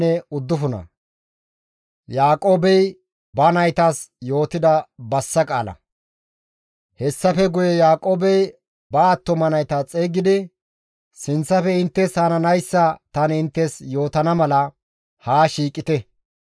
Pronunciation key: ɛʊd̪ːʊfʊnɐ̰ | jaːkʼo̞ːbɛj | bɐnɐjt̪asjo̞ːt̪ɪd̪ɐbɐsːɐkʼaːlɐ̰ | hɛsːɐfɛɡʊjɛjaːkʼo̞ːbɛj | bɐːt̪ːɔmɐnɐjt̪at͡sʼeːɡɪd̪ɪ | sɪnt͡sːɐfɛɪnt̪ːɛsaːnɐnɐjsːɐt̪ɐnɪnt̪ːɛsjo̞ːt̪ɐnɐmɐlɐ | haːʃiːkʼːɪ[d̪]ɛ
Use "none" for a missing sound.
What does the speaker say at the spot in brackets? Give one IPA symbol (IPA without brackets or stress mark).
t̪